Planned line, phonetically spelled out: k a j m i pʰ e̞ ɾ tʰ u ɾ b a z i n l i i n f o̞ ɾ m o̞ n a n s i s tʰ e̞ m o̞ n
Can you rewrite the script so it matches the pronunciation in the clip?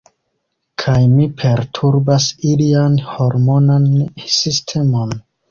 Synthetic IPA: kʰ a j m i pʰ e̞ ɾ tʰ u ɾ b a s i l i a n h o̞ ɾ m o̞ n a n s i s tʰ e̞ m o̞ n